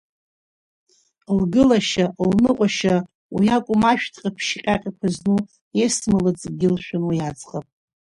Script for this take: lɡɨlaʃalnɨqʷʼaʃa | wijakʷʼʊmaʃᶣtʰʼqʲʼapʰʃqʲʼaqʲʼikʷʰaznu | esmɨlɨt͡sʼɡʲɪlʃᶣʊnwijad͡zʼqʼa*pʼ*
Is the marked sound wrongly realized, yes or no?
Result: no